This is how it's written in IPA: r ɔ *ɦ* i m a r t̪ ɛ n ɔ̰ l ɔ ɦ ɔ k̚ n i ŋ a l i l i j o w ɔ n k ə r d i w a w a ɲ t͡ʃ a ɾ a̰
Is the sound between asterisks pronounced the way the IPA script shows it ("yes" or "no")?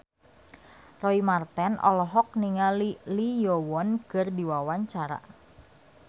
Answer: no